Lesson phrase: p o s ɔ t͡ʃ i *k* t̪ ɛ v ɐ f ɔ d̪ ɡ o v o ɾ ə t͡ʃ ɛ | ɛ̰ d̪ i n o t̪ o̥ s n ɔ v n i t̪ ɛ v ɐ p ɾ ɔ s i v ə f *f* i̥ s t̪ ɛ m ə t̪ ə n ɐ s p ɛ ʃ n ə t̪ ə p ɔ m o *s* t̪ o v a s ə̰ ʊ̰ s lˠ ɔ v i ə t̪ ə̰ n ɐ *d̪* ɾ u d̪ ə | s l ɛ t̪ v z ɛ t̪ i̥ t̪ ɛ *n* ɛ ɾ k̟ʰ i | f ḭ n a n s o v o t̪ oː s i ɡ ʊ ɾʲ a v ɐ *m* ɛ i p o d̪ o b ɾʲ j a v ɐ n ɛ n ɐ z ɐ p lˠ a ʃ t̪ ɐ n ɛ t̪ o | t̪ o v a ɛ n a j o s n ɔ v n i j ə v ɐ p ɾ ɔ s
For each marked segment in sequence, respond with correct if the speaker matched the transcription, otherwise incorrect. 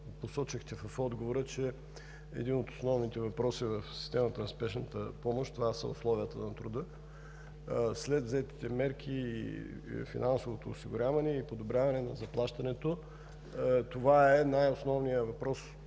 incorrect: x, incorrect: s, incorrect: ʃ, incorrect: t̪, incorrect: m, incorrect: n

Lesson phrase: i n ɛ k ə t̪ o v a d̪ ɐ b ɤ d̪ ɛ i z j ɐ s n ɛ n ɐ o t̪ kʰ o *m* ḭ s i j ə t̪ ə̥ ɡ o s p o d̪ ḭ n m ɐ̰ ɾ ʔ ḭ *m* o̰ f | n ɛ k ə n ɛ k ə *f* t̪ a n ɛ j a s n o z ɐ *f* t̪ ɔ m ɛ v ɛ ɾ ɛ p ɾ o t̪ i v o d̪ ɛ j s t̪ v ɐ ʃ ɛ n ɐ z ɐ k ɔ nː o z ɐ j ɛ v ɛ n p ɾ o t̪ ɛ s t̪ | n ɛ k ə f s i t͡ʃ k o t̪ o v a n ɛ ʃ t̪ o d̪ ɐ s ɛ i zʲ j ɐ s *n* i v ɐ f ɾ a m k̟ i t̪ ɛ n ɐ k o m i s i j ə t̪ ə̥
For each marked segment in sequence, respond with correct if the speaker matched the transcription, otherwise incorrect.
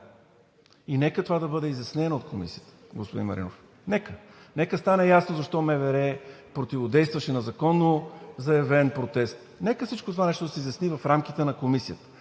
correct, incorrect: n, incorrect: s, incorrect: ʃ, correct

